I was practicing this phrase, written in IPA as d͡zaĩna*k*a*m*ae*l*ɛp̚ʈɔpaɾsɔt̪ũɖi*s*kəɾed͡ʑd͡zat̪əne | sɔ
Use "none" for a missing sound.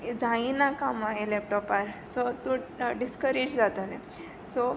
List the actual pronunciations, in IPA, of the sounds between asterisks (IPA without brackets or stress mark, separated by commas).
k, m, l, s